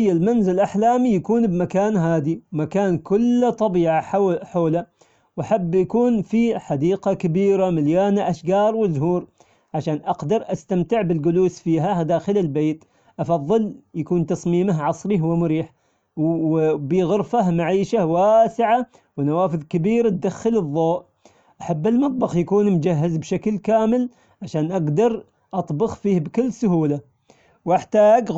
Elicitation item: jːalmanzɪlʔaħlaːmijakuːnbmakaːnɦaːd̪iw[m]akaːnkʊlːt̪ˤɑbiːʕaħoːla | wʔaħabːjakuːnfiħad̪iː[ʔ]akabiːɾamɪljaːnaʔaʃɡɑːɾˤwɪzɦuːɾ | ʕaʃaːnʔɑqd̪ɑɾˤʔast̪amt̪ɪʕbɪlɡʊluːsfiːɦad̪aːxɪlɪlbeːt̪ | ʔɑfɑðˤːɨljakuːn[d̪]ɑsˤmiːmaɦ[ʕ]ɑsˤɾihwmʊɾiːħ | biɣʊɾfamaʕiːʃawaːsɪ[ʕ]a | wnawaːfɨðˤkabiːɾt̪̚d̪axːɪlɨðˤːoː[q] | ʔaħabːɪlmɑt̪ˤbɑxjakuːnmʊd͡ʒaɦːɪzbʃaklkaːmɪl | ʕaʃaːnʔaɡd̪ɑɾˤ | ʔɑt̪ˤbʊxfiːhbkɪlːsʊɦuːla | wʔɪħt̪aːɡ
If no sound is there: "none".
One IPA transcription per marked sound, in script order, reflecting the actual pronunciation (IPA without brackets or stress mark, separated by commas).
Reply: m, q, t̪, ʕ, ʕ, ʔ